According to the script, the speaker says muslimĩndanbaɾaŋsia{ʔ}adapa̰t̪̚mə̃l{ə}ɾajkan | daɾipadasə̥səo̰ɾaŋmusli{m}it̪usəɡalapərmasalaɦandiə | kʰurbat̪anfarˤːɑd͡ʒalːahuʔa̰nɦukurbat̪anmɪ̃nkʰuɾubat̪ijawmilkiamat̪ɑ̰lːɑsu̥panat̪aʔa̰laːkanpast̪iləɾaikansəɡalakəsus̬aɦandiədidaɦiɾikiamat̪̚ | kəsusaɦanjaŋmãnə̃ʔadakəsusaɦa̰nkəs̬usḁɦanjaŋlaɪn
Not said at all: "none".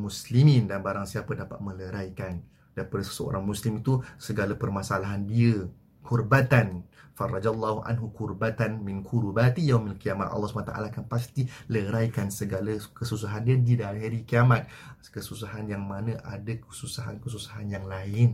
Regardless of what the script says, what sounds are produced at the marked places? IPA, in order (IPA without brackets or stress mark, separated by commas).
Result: p, ə, m